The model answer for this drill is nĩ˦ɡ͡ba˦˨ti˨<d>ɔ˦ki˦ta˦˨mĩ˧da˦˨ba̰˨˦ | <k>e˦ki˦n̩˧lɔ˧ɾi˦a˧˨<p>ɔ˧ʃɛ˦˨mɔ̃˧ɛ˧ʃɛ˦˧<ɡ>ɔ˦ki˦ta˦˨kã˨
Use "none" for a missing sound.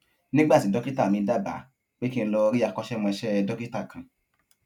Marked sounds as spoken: d, k͡p, k, d

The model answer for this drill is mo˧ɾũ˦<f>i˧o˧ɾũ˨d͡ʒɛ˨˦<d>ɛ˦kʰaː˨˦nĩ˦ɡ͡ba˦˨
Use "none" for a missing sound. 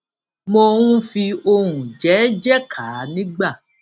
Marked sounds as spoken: f, d͡ʒ

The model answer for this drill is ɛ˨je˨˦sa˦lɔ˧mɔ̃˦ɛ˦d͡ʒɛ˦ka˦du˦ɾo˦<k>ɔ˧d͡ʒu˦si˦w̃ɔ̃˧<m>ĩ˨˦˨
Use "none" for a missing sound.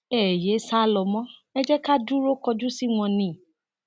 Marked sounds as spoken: k, n

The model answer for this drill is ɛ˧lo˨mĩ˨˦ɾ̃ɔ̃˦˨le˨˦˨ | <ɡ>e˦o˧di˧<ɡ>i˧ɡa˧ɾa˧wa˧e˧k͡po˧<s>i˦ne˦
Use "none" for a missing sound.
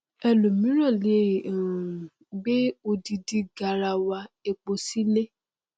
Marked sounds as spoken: ɡ͡b, d, s

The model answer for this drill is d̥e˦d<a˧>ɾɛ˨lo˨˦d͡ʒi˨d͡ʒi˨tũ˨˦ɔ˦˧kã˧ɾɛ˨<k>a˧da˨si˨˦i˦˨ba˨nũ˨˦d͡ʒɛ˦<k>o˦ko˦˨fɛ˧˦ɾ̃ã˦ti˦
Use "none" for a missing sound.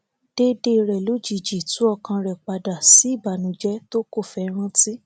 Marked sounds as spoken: e˧, k͡p, t

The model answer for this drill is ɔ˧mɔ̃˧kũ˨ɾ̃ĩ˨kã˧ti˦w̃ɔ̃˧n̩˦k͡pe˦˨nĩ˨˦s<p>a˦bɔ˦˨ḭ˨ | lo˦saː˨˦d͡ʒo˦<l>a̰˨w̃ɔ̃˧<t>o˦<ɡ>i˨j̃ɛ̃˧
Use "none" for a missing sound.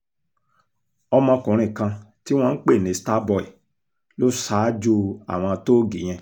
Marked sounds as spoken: t, none, t, ɡ

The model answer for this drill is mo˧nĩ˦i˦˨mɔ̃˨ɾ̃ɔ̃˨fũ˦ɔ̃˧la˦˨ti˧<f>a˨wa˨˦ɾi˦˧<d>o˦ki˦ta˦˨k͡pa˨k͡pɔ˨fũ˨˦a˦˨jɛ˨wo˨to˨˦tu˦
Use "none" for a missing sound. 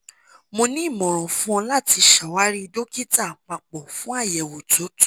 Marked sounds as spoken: ʃ, d

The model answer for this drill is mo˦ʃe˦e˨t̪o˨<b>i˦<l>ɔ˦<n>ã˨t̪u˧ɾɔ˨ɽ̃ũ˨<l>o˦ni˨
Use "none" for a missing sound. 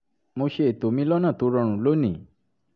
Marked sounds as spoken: m, l, n, l

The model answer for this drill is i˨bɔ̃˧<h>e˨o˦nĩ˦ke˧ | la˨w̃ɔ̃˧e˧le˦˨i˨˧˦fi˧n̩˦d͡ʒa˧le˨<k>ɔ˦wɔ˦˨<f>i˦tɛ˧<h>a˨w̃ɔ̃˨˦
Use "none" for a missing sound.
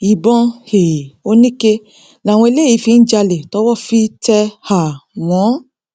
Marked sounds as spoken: h, t, f, h

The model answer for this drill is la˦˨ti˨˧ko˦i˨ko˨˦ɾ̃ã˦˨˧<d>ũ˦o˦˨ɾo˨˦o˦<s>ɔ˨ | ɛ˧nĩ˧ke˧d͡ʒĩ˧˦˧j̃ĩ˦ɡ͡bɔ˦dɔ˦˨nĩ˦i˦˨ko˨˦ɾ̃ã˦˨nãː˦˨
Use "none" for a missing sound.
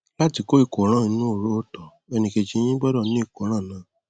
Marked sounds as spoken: n, t

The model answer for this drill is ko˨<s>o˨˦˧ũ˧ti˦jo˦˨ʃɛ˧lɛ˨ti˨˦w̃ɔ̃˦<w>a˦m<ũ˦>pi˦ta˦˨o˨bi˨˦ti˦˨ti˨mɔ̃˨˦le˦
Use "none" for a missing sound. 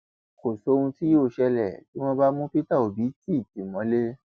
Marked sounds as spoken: s, b, ũ˦

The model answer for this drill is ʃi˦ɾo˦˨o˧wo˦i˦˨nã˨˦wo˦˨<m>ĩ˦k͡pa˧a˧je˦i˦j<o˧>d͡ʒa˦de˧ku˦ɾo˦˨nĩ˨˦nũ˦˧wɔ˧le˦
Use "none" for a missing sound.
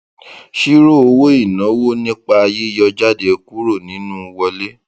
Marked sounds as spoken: n, ɔ˧

